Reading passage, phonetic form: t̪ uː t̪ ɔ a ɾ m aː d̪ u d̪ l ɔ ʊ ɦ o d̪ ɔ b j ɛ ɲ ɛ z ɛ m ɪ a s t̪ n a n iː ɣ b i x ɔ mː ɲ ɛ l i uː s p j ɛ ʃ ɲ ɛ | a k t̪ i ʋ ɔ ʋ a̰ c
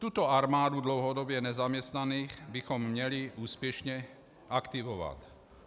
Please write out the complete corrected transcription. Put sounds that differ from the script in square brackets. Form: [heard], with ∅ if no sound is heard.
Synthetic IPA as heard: t̪ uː t̪ ɔ a ɾ m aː d̪ u d̪ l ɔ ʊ ɦ [ɔ] d̪ ɔ b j ɛ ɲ ɛ z [a] m ɪ [ɛ] s t̪ n a n iː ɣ b i x ɔ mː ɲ ɛ l i uː s p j ɛ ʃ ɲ ɛ | a k t̪ i ʋ ɔ ʋ a̰ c